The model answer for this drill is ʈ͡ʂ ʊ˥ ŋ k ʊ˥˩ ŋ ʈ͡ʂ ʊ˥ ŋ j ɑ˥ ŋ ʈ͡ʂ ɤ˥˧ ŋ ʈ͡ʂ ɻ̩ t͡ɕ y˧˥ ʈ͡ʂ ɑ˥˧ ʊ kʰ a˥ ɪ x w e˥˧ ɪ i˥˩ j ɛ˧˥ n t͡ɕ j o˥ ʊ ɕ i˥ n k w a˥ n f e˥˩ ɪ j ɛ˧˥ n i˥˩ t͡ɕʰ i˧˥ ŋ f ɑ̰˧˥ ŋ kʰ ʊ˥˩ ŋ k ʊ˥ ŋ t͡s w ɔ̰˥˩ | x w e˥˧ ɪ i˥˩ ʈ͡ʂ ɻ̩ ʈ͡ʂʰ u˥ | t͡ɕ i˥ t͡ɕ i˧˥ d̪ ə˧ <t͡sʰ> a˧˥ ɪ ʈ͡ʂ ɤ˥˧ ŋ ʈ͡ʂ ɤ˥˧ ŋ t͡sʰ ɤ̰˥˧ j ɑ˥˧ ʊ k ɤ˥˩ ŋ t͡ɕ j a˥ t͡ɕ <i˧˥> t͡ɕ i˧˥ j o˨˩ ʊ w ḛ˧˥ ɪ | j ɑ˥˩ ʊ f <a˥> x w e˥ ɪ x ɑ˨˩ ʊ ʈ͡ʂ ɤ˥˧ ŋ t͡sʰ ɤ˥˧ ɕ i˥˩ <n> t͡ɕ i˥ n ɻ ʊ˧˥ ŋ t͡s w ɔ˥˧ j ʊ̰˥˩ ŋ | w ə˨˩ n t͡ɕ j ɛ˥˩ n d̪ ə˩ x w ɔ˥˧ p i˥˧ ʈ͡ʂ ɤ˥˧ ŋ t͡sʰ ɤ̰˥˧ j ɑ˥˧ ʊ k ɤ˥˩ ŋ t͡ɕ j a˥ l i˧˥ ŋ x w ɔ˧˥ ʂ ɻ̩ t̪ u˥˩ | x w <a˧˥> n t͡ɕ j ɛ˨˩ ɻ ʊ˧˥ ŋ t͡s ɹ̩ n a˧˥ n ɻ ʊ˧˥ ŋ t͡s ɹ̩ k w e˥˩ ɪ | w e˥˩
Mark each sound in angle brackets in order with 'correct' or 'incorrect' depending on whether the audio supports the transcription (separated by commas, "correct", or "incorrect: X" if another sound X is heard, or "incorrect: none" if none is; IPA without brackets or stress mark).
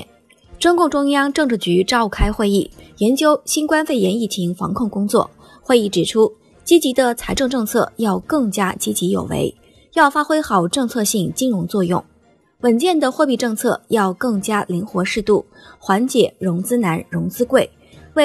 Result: correct, incorrect: i˥, correct, incorrect: ŋ, correct